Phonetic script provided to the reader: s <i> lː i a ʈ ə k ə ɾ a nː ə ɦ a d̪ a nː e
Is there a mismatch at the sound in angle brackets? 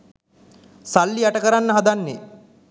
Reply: yes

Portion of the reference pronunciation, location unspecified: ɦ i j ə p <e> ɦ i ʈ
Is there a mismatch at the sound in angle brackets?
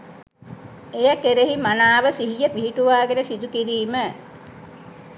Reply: yes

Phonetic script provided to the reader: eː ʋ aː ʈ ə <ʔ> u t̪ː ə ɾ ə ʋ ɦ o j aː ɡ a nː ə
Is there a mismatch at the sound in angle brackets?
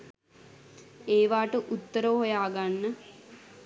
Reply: no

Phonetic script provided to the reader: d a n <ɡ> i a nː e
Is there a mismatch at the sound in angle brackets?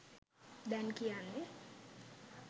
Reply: yes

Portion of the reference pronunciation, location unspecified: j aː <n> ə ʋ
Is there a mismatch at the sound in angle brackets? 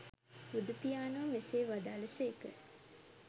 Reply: no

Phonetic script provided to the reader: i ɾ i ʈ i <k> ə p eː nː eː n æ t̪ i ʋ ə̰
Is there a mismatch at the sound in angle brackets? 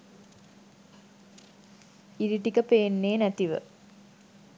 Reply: no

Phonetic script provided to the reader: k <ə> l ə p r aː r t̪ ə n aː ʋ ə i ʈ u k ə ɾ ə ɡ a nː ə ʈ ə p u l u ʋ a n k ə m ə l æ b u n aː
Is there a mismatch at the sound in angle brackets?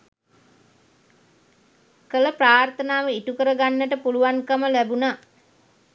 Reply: no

